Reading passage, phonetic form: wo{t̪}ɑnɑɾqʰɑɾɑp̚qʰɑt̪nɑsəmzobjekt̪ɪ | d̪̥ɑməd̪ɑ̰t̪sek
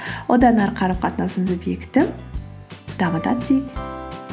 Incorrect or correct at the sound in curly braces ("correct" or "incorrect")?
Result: incorrect